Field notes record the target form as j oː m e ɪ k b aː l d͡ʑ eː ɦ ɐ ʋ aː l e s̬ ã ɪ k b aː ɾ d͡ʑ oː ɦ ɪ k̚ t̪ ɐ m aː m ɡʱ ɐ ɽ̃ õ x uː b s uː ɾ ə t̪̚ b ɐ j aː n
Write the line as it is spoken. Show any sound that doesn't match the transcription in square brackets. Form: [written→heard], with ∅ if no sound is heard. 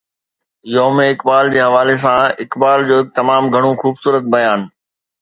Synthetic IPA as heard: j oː m e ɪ k b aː l d͡ʑ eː ɦ ɐ ʋ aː l e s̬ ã ɪ k b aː [ɾ→l] d͡ʑ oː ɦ ɪ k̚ t̪ ɐ m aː m ɡʱ ɐ ɽ̃ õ x uː b s uː ɾ ə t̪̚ b ɐ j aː n